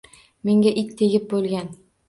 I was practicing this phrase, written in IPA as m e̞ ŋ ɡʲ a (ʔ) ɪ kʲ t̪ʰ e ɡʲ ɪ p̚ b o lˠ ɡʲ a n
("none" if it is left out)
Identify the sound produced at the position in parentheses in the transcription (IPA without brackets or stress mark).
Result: ʔ